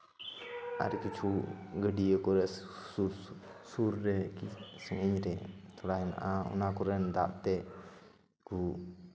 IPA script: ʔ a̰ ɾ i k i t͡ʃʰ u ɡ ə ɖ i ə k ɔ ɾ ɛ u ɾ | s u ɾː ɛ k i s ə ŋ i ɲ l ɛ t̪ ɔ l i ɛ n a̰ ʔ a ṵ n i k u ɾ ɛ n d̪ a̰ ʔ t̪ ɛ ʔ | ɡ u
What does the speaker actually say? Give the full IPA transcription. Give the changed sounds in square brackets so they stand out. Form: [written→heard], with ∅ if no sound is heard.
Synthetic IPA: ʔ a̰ ɾ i k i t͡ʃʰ u ɡ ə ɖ i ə k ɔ ɾ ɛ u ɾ | s u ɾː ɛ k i s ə ŋ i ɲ [l→ɾ] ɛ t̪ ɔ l [i→a] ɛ n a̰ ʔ a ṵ n [i→a] k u ɾ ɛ n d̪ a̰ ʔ t̪ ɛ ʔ | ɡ u

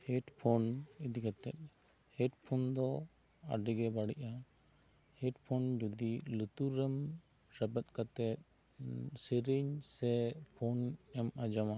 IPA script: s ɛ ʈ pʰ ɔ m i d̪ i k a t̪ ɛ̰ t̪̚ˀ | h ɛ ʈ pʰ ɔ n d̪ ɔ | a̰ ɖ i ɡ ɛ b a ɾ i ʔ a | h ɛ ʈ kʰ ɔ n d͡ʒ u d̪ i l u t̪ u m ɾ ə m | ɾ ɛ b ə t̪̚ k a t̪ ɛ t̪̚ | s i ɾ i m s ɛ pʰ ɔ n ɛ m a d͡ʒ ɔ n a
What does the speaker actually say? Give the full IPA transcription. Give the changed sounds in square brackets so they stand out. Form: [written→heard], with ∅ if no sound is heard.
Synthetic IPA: [s→h] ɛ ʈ pʰ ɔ [m→n] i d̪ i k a t̪ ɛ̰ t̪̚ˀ | h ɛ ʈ pʰ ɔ n d̪ ɔ | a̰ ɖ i ɡ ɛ b a [ɾ→ɽ] i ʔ a | h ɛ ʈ [kʰ→pʰ] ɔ n d͡ʒ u d̪ i l u t̪ u [m→∅] ɾ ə m | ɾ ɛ b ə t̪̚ k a t̪ ɛ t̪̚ | s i ɾ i [m→ɲ] s ɛ pʰ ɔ n ɛ m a d͡ʒ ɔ [n→m] a

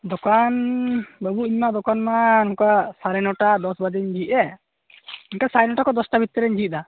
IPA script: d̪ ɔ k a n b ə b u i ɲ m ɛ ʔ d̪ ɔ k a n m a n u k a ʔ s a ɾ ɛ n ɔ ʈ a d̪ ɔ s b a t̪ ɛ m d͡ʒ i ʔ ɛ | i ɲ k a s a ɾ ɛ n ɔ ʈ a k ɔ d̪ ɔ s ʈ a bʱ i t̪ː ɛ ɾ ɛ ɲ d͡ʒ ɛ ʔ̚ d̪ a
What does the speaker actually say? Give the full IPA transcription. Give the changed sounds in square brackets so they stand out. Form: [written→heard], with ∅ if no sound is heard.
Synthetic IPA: d̪ ɔ k a n b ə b u i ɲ m [ɛ→a] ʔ d̪ ɔ k a n m a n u k a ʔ s a ɾ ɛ n ɔ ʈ a d̪ ɔ s b a [t̪→d̪] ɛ [m→ɲ] d͡ʒ i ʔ ɛ | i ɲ k a s a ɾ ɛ n ɔ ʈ a k ɔ d̪ ɔ s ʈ a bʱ i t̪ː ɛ ɾ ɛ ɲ d͡ʒ [ɛ→i] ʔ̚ d̪ a

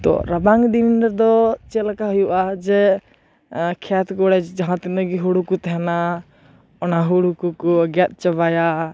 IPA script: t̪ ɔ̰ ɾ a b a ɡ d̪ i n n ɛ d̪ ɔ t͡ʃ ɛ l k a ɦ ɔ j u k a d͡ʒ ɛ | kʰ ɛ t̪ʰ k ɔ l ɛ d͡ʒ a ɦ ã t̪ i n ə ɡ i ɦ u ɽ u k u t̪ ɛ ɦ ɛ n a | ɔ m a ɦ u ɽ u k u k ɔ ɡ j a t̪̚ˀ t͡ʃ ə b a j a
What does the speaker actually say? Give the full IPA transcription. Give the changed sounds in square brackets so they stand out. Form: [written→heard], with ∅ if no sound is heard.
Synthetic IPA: t̪ ɔ̰ ɾ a b a [ɡ→ŋ] d̪ i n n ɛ d̪ ɔ t͡ʃ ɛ l k a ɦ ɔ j u [k→ʔ] a d͡ʒ ɛ | kʰ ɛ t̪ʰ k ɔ [l→ɽ] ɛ d͡ʒ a ɦ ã t̪ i n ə ɡ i ɦ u ɽ u k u t̪ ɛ ɦ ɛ n a | ɔ [m→n] a ɦ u ɽ u k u k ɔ ɡ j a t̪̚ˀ t͡ʃ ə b a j a

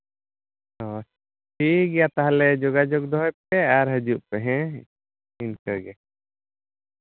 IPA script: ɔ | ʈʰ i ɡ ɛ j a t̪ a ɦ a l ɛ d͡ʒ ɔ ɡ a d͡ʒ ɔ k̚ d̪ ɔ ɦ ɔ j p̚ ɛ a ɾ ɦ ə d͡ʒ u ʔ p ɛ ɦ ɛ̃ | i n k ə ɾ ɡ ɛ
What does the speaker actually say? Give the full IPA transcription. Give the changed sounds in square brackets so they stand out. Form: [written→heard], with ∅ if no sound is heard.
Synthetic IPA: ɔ | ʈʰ i ɡ ɛ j a t̪ a ɦ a l ɛ d͡ʒ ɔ ɡ a d͡ʒ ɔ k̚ d̪ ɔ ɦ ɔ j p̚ ɛ a ɾ ɦ ə d͡ʒ u ʔ p ɛ ɦ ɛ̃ | i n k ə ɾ ɡ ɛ

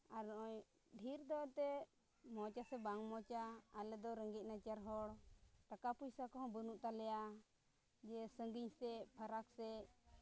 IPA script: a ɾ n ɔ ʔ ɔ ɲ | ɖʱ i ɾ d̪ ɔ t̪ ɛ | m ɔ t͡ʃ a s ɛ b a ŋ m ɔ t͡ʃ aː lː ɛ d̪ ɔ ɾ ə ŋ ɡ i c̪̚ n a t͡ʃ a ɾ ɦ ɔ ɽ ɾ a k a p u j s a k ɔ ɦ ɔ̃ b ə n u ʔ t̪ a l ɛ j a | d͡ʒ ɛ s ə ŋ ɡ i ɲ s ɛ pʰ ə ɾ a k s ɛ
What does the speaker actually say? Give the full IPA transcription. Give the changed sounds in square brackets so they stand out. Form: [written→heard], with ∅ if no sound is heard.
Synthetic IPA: a ɾ n ɔ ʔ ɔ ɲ | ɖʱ i ɾ d̪ ɔ t̪ ɛ | m ɔ t͡ʃ a s ɛ b a ŋ m ɔ t͡ʃ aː [lː→l] ɛ d̪ ɔ ɾ ə ŋ ɡ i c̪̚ n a t͡ʃ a ɾ ɦ ɔ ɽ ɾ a k a p u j s a k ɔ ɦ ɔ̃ b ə n u ʔ t̪ a l ɛ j a | d͡ʒ ɛ s ə ŋ ɡ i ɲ s ɛ pʰ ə ɾ a k s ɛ

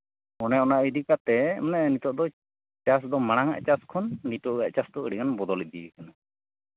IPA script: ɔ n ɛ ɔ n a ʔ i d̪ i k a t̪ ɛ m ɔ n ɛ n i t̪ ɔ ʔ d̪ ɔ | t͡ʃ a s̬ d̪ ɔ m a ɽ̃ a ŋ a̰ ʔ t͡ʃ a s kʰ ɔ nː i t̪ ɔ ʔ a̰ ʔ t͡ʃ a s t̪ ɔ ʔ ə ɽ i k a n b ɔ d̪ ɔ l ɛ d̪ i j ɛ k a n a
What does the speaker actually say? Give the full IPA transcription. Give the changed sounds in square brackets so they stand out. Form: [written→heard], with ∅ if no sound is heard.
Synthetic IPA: ɔ n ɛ ɔ n a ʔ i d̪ i k a t̪ ɛ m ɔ n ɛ n i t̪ ɔ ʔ d̪ ɔ | t͡ʃ a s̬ d̪ ɔ m a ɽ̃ a ŋ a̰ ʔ t͡ʃ a s kʰ ɔ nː i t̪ ɔ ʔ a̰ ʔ t͡ʃ a s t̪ ɔ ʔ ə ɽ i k a n b ɔ d̪ ɔ l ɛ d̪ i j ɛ k a n a

